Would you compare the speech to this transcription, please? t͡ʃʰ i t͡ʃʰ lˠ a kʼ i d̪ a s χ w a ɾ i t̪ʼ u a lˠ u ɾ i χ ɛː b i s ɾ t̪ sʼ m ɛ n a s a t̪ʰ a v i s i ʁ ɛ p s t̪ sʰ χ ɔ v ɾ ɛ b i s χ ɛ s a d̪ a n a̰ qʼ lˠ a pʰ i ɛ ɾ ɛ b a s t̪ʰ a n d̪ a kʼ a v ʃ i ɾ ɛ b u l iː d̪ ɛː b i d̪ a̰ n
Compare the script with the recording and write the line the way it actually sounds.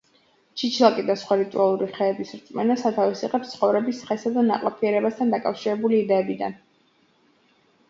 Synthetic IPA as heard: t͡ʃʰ i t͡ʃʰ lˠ a kʼ i d̪ a s χ w a ɾ i t̪ʼ u a lˠ u ɾ i χ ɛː b i s ɾ t̪ sʼ m ɛ n a s a t̪ʰ a v i s i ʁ ɛ p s t̪ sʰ χ ɔ v ɾ ɛ b i s χ ɛ s a d̪ a n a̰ qʼ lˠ a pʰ i ɛ ɾ ɛ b a s t̪ʰ a n d̪ a kʼ a f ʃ i ɾ ɛ b u l iː d̪ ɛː b i d̪ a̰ n

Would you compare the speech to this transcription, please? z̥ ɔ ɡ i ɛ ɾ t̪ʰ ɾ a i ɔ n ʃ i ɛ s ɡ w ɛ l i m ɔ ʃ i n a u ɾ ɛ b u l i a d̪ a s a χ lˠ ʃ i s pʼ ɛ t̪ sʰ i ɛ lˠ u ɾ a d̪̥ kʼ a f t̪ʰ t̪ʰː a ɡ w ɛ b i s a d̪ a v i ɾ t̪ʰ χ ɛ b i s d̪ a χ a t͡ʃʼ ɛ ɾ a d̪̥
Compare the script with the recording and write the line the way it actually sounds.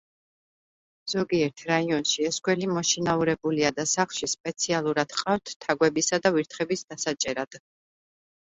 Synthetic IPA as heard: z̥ ɔ ɡ i ɛ ɾ t̪ʰ ɾ a i ɔ n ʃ i ɛ s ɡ w ɛ l i m ɔ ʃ i n a u ɾ ɛ b u l i a d̪ a s a χ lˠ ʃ i s pʼ ɛ t̪ sʰ i a lˠ u ɾ a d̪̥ qʼ a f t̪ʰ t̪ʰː a ɡ w ɛ b i s a d̪ a v i ɾ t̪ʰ χ ɛ b i s d̪ a s a t͡ʃʼ ɛ ɾ a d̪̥

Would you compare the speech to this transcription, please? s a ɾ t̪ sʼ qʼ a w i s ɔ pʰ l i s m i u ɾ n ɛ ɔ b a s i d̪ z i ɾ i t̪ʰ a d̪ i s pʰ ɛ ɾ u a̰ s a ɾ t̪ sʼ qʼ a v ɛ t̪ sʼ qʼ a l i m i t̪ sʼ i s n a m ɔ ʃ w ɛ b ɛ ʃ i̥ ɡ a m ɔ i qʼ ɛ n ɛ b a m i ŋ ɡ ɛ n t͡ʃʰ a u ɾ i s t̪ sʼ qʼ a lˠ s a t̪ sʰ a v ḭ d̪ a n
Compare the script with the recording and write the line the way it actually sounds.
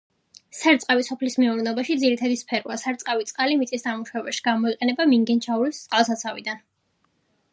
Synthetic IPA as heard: s a ɾ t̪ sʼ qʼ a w i s ɔ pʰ l i s m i u ɾ n ɛ ɔ b a ʃ i d̪ z i ɾ i t̪ʰ a d̪ i s pʰ ɛ ɾ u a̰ s a ɾ t̪ sʼ qʼ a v i t̪ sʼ qʼ a l i m i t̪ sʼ i s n a m u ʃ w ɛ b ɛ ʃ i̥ ɡ a m ɔ i qʼ ɛ n ɛ b a m i ŋ ɡ ɛ n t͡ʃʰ a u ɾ i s t̪ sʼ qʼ a lˠ s a t̪ sʰ a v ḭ d̪ a n

